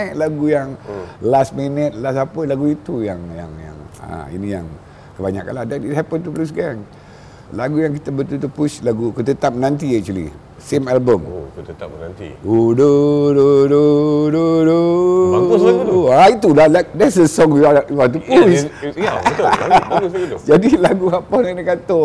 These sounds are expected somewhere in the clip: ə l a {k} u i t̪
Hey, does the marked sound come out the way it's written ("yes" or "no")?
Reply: no